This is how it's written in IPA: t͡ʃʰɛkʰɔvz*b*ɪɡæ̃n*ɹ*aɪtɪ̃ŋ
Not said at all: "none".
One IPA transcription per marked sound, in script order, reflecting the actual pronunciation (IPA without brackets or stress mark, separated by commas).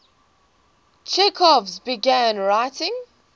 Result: b, ɹ